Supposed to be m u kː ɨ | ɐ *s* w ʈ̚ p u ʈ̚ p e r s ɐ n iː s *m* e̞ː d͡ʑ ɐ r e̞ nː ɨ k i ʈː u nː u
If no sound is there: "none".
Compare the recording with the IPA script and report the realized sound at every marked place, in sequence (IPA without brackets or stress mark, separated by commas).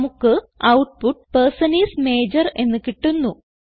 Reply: none, m